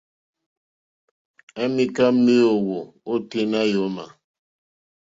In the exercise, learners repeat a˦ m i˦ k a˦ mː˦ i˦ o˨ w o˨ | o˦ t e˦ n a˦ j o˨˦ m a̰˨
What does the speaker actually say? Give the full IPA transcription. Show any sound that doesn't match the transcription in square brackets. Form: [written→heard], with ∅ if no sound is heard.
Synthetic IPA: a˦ m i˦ k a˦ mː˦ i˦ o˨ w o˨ | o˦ t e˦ n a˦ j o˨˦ m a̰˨